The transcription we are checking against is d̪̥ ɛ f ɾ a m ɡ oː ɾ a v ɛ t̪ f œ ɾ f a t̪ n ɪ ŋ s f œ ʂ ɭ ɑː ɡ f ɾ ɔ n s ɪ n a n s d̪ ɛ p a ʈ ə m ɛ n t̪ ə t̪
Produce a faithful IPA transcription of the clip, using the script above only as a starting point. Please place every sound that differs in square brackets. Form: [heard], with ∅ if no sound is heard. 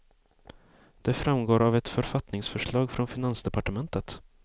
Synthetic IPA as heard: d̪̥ ɛ f ɾ a m ɡ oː ɾ a v ɛ t̪ f œ ɾ f a t̪ n ɪ ŋ s f œ ʂ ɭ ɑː ɡ f ɾ ɔ n [f] ɪ n a n s d̪ ɛ p a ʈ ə m ɛ n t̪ ə t̪